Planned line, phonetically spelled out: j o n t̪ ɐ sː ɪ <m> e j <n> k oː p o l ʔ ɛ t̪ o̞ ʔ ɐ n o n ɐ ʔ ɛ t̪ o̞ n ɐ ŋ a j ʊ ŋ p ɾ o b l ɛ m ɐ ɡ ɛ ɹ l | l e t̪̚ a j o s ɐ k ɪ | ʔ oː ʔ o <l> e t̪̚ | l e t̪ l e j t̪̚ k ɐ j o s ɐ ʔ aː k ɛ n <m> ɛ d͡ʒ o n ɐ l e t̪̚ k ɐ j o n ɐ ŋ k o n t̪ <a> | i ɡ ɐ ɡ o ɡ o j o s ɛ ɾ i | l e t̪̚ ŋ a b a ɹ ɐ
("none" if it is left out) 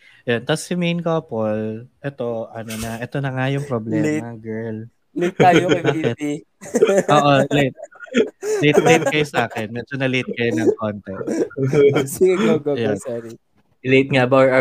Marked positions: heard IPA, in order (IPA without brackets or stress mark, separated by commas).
m, n, l, m, ɛ